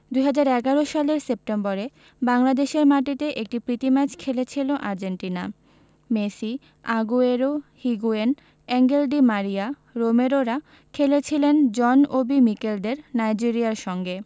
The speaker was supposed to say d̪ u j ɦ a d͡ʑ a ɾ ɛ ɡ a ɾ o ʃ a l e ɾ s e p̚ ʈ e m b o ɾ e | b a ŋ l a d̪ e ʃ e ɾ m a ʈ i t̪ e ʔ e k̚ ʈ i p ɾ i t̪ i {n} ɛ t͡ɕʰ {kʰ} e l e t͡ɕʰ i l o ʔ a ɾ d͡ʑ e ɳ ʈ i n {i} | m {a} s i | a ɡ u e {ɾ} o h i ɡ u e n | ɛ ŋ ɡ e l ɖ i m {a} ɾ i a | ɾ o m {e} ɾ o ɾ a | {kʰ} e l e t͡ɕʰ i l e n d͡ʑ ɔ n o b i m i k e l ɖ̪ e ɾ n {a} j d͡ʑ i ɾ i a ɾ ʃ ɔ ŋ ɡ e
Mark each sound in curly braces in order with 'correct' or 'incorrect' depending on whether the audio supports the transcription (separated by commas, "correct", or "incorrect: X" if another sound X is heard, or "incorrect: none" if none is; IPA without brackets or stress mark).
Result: incorrect: m, correct, incorrect: a, incorrect: e, correct, correct, correct, correct, correct